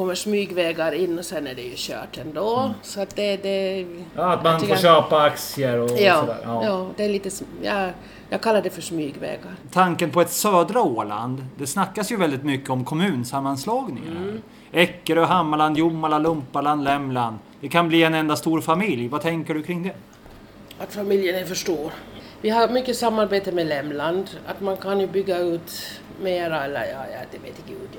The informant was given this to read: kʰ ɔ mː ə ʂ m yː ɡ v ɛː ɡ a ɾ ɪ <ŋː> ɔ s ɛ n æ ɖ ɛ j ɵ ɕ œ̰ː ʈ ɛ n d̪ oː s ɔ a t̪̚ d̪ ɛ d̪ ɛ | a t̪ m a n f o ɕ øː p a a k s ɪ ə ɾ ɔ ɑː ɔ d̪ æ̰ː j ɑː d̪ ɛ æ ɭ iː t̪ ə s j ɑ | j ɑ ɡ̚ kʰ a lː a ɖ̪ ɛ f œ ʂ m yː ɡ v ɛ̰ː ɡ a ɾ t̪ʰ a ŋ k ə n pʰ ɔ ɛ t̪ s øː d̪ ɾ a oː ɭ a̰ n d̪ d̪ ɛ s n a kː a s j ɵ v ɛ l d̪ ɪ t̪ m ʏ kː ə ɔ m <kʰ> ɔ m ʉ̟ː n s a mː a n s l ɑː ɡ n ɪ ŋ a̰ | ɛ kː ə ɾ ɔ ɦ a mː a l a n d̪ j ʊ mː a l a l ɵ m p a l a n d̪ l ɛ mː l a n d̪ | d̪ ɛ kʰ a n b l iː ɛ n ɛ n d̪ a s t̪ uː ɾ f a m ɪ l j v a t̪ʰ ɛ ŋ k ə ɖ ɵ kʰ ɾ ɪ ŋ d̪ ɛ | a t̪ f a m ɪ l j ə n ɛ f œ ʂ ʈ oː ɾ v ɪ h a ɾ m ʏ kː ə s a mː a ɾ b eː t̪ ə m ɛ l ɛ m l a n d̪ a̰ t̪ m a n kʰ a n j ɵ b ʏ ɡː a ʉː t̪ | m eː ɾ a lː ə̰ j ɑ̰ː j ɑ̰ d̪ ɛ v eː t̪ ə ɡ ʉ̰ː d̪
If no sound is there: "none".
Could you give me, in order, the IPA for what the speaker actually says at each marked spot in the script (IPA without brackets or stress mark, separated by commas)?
nː, kʰ